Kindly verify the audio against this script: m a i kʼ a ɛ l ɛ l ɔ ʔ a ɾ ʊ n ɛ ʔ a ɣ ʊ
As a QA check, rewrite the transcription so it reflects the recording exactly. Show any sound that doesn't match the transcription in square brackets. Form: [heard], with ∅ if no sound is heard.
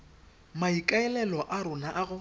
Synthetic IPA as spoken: m a i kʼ a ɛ l ɛ l ɔ ʔ a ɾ ʊ n [a] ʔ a ɣ ʊ